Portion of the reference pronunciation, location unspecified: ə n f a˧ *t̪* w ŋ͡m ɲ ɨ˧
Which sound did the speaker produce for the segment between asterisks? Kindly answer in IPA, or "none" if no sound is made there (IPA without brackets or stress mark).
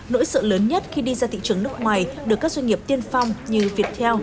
none